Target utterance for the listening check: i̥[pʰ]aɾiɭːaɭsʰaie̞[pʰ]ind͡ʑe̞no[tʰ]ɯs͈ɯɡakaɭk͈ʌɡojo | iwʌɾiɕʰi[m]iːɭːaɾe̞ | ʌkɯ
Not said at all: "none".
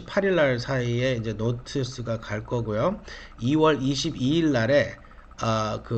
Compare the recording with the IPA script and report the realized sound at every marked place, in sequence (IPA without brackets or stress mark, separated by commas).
pʰ, none, tʰ, b